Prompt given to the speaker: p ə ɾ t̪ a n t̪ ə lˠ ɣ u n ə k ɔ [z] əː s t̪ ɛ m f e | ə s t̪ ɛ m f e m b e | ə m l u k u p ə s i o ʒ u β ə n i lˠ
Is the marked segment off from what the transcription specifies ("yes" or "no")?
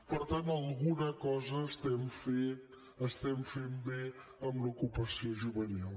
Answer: no